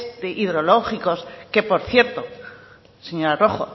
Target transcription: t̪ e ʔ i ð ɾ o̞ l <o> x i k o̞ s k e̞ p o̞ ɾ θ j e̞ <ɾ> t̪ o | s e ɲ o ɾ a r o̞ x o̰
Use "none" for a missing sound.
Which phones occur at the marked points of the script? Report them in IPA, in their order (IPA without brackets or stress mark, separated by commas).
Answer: o, ɾ